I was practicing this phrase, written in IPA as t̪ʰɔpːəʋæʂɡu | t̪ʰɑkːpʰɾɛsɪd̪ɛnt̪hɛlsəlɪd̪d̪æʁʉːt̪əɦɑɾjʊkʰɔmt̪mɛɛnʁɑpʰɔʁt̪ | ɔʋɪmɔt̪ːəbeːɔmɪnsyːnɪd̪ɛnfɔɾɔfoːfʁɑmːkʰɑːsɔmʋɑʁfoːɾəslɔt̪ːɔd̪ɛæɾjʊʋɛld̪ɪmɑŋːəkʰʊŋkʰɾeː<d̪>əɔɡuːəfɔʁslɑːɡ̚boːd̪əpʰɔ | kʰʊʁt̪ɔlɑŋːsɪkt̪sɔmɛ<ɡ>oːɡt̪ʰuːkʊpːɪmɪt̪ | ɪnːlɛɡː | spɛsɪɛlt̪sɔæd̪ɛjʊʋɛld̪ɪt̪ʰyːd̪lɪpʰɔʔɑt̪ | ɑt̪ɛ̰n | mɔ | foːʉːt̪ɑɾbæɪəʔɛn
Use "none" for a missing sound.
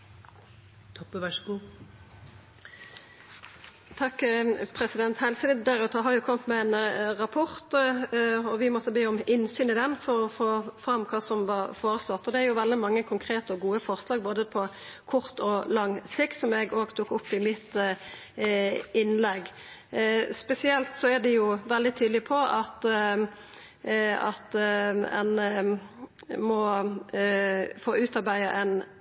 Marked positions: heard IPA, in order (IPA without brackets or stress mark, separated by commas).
t̪, ɡ